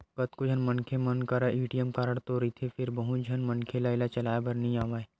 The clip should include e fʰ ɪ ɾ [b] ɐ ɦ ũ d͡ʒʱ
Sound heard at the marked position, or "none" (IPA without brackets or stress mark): b